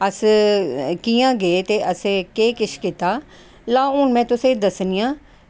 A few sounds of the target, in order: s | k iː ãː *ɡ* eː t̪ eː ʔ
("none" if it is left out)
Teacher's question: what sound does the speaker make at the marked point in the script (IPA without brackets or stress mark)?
ɡ